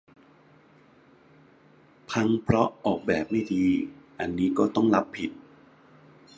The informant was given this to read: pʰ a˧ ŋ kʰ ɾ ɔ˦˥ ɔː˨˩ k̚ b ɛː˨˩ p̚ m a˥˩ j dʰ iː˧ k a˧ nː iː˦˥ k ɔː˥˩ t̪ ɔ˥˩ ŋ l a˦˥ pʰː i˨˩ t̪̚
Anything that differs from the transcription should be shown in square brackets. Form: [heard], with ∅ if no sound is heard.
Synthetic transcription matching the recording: pʰ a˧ ŋ [pʰ] ɾ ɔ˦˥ ɔː˨˩ k̚ b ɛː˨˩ p̚ m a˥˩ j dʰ iː˧ [ʔ] a˧ nː iː˦˥ k ɔː˥˩ t̪ ɔ˥˩ ŋ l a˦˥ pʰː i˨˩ t̪̚